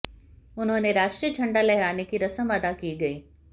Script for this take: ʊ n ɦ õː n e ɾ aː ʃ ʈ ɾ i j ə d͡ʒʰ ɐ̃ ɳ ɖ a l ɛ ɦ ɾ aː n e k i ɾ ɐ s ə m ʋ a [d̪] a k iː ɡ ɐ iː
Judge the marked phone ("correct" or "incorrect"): correct